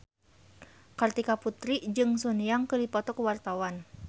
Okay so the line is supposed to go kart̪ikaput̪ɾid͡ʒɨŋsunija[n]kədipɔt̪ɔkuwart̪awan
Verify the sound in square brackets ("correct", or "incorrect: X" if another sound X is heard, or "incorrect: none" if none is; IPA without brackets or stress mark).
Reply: incorrect: ŋ